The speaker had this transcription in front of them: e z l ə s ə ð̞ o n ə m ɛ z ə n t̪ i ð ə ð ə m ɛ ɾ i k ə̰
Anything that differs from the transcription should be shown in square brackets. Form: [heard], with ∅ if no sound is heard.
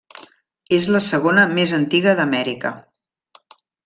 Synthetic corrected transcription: e z l ə s ə [ɣ̞] o n ə m [e] z ə n t̪ i [ɣ] ə ð ə m ɛ ɾ i k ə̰